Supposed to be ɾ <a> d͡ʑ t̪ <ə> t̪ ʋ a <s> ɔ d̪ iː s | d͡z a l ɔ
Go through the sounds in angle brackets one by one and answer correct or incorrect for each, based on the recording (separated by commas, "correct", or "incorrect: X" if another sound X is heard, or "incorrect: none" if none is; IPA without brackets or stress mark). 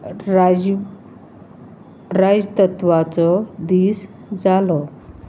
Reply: correct, correct, incorrect: t͡s